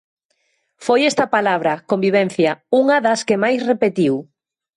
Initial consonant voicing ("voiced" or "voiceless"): voiceless